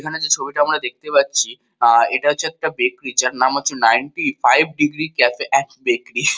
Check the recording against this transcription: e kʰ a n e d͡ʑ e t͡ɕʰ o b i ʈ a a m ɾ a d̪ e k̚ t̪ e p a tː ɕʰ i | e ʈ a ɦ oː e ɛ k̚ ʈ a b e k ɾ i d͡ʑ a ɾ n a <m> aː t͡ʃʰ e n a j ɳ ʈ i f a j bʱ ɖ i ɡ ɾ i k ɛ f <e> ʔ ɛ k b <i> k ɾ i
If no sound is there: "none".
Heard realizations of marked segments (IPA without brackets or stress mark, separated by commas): m, e, e